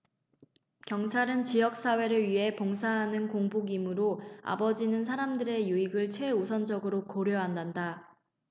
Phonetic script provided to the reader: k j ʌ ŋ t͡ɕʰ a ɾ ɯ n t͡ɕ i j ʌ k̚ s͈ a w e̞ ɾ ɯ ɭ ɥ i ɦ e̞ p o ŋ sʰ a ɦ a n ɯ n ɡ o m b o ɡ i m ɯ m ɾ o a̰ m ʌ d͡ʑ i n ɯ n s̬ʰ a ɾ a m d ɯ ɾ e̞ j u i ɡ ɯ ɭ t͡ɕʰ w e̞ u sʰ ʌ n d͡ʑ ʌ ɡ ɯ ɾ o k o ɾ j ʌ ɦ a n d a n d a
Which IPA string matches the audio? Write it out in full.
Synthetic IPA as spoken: k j ʌ ŋ t͡ɕʰ a ɾ ɯ n t͡ɕ i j ʌ k̚ s͈ a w e̞ ɾ ɯ ɭ ɥ i ɦ e̞ p o ŋ sʰ a ɦ a n ɯ n k o ŋ b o ɡ i m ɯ ɾ o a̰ b ʌ d͡ʑ i n ɯ n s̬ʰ a ɾ a m d ɯ ɾ e̞ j u i ɡ ɯ ɭ t͡ɕʰ w e̞ u sʰ ʌ n d͡ʑ ʌ ɡ ɯ ɾ o k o ɾ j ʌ ɦ a n d a n d a

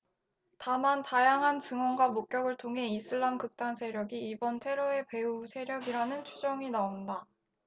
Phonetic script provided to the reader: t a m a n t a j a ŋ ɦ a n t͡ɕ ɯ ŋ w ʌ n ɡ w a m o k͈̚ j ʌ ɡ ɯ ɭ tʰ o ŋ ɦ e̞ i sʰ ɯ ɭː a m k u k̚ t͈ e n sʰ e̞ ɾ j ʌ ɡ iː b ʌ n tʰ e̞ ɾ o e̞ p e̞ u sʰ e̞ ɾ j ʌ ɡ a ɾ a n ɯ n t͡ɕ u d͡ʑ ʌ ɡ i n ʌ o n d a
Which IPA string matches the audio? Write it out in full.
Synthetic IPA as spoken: t a m a n t a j a ŋ ɦ a n t͡ɕ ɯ ŋ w ʌ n ɡ w a m o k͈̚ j ʌ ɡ ɯ ɭ tʰ o ŋ ɦ e̞ i sʰ ɯ ɭː a m k ɯ k̚ t͈ a n sʰ e̞ ɾ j ʌ ɡ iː b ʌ n tʰ e̞ ɾ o e̞ p e̞ u sʰ e̞ ɾ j ʌ ɡ i ɾ a n ɯ n t͡ɕʰ u d͡ʑ ʌ ŋ i n a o n d a

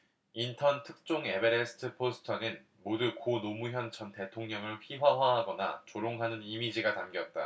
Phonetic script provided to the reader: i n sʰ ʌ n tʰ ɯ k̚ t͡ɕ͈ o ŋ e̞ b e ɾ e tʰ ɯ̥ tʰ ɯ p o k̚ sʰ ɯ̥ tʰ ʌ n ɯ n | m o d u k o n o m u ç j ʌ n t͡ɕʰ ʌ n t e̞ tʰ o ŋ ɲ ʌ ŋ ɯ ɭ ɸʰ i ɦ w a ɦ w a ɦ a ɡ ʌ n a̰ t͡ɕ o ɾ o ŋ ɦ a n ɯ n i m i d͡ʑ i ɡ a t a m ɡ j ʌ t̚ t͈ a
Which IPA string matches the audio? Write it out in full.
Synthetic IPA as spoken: i n tʰ ʌ n tʰ ɯ k̚ t͡ɕ͈ o ŋ e̞ b e ɾ e sʰ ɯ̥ tʰ ɯ pʰ o sʰ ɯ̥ tʰ ʌ n ɯ n | m o d u k o n o m u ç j ʌ n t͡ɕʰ ʌ n t e̞ tʰ o ŋ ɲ ʌ ŋ ɯ ɭ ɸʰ i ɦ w a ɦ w a ɦ a ɡ ʌ n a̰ t͡ɕ o ɾ o ŋ ɦ a n ɯ n i m i d͡ʑ i ɡ a t a m ɡ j ʌ t̚ t͈ a

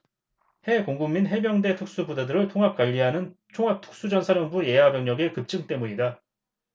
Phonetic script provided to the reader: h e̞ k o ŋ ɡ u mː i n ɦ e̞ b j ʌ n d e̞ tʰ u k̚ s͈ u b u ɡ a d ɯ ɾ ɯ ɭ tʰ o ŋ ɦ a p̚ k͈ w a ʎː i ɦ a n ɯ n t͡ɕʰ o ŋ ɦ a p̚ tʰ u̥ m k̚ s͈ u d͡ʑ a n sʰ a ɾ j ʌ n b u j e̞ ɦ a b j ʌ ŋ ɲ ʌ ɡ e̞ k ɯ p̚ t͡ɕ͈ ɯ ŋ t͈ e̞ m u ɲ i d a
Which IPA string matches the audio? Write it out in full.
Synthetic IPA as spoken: h e̞ k o ŋ ɡ u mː i n ɦ e̞ b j ʌ ŋ d e̞ tʰ u k̚ s͈ u b u d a d ɯ ɾ ɯ ɭ tʰ o ŋ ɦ a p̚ k͈ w a ʎː i ɦ a n ɯ n t͡ɕʰ o ŋ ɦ a p̚ tʰ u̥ k̚ s͈ u d͡ʑ ʌ n sʰ a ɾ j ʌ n b u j e̞ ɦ a b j ʌ ŋ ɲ ʌ ɡ e̞ k ɯ p̚ t͡ɕ͈ ɯ ŋ t͈ e̞ m u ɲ i d a

